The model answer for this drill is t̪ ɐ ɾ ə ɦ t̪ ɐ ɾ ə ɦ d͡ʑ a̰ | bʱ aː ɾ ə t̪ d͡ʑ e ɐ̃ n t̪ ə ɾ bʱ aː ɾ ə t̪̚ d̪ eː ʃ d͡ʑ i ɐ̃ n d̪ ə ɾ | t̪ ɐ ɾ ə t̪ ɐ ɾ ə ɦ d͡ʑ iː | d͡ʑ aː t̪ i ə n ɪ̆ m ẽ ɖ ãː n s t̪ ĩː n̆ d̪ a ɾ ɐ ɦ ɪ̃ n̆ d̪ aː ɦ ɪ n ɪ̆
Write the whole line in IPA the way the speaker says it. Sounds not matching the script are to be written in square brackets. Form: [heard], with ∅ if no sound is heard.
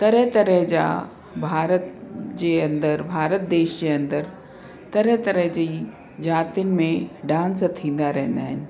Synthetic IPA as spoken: t̪ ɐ ɾ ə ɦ t̪ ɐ ɾ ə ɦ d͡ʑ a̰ | bʱ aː ɾ ə t̪ d͡ʑ e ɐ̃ n [d̪] ə ɾ bʱ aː ɾ ə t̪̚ d̪ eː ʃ d͡ʑ [e] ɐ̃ n d̪ ə ɾ | t̪ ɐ ɾ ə t̪ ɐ ɾ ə ɦ d͡ʑ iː | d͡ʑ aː t̪ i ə n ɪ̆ m ẽ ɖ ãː n s [t̪ʰ] ĩː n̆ d̪ a ɾ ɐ ɦ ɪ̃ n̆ d̪ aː ɦ ɪ n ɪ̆

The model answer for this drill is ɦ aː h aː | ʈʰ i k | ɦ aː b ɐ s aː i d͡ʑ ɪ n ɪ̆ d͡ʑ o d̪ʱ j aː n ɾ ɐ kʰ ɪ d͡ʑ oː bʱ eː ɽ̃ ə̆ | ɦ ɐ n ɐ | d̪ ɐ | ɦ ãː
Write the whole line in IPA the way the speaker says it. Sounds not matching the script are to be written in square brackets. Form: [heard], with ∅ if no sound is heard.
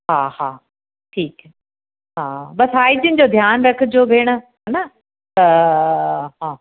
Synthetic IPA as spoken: ɦ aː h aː | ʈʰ [iː] k | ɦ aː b ɐ s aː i d͡ʑ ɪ n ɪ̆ d͡ʑ o d̪ʱ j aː n ɾ ɐ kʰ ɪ d͡ʑ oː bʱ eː ɽ̃ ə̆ | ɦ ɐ n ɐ | [t̪] ɐ | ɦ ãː

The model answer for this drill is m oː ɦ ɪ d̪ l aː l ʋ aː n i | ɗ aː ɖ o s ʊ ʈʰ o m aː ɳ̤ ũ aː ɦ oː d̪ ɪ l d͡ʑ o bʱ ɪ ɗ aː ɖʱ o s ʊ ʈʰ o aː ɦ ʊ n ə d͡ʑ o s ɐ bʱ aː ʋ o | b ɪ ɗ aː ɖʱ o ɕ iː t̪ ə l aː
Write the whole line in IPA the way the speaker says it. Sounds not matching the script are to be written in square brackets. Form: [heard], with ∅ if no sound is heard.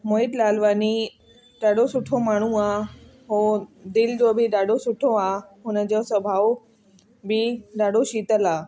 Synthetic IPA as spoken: m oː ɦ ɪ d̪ l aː l ʋ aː n i | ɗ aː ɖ o s ʊ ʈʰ o m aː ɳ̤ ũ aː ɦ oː d̪ ɪ l d͡ʑ o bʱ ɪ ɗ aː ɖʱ o s ʊ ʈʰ o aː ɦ ʊ n ə d͡ʑ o s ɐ bʱ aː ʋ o | b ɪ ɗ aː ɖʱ o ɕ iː t̪ ə l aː

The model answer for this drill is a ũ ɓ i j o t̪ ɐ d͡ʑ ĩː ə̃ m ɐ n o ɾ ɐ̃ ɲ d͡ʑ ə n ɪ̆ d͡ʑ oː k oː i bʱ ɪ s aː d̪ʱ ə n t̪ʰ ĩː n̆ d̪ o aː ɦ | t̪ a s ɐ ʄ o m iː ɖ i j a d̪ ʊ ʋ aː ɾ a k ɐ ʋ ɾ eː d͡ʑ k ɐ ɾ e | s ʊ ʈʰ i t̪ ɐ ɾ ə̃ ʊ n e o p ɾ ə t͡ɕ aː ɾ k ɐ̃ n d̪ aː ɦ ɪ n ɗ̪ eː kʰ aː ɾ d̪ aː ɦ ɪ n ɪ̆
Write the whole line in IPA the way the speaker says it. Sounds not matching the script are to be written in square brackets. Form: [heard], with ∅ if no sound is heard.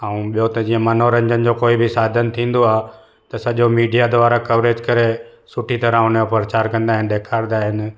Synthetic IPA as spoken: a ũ ɓ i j o t̪ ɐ d͡ʑ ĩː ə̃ m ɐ n o ɾ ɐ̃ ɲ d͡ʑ ə n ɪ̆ d͡ʑ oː k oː i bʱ ɪ s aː d̪ʱ ə n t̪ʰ ĩː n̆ d̪ o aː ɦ | t̪ [ɐ] s ɐ ʄ o m iː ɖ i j a d̪ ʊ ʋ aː ɾ a k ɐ ʋ ɾ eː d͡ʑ k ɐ ɾ e | s ʊ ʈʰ i t̪ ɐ ɾ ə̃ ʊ n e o p ɾ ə t͡ɕ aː ɾ k ɐ̃ n d̪ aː ɦ ɪ n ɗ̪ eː kʰ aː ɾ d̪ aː ɦ ɪ n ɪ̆

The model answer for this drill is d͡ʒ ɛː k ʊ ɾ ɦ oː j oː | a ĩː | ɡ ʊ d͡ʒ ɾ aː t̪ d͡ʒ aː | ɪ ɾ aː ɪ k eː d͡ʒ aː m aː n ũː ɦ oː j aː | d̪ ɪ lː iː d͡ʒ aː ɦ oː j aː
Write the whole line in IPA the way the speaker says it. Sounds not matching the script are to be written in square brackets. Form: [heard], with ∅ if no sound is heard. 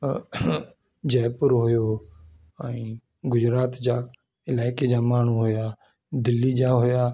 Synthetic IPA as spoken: d͡ʒ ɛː [p] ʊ ɾ ɦ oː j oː | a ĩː | ɡ ʊ d͡ʒ ɾ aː t̪ d͡ʒ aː | ɪ [l] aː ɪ k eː d͡ʒ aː m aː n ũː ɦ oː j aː | d̪ ɪ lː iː d͡ʒ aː ɦ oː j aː

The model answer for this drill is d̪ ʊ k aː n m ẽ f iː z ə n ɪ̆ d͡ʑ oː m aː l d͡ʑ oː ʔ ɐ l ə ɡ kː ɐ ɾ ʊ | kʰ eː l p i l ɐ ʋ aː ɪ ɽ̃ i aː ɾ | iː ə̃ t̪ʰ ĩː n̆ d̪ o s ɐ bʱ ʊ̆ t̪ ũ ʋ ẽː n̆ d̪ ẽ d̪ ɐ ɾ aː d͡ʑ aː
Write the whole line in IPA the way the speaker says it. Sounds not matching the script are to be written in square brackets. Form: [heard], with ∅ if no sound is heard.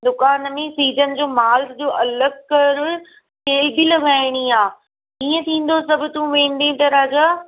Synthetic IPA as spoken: d̪ ʊ k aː n m ẽ [s] iː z ə n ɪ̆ d͡ʑ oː m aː l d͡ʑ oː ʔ ɐ l ə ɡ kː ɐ ɾ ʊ | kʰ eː l [b] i l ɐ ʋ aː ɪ ɽ̃ i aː [∅] | iː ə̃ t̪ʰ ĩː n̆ d̪ o s ɐ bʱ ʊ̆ t̪ ũ ʋ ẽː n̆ d̪ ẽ [t̪] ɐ ɾ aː d͡ʑ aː

